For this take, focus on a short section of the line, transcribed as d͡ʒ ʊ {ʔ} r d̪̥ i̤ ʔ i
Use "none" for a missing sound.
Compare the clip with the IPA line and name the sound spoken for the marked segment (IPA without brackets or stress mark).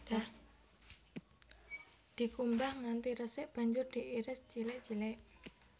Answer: none